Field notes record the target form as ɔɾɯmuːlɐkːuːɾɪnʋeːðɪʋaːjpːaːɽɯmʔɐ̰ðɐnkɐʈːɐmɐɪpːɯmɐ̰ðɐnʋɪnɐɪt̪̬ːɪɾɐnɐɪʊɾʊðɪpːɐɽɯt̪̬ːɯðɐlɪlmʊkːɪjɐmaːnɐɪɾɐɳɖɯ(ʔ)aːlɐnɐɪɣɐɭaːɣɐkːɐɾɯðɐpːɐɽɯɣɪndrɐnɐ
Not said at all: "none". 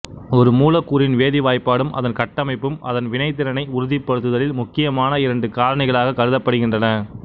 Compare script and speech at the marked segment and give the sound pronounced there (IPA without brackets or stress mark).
k